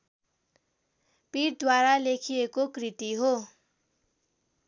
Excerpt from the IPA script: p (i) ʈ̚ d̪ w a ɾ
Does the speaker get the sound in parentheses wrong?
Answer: no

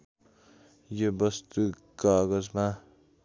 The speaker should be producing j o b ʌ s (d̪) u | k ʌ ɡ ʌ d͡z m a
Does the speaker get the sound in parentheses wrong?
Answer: yes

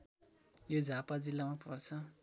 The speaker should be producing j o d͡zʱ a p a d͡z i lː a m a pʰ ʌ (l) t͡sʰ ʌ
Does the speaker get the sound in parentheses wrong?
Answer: yes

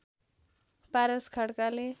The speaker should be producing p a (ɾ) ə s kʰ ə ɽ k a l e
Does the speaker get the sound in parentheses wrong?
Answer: no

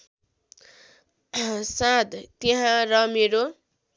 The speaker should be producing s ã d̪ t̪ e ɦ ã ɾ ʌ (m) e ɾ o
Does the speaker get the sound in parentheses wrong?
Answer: no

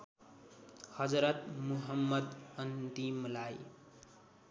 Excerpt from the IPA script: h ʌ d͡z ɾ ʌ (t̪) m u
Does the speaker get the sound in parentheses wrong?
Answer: no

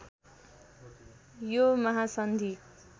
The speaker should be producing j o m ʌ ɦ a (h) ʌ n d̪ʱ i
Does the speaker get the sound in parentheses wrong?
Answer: yes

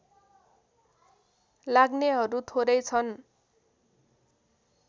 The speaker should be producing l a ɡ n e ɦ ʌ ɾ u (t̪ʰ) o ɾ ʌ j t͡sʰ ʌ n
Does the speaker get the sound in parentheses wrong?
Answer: no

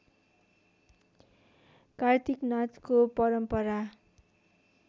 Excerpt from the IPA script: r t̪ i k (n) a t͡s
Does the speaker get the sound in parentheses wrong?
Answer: no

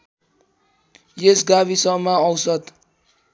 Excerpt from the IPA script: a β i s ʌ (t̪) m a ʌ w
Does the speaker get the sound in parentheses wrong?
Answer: yes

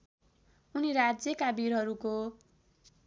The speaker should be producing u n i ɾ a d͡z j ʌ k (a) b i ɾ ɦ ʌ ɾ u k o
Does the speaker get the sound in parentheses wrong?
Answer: no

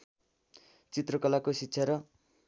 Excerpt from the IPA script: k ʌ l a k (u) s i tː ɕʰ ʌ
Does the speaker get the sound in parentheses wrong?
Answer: yes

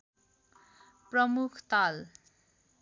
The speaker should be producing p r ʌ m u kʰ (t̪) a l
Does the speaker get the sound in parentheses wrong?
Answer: no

